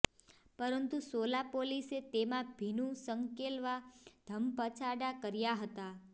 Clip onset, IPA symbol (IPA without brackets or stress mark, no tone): p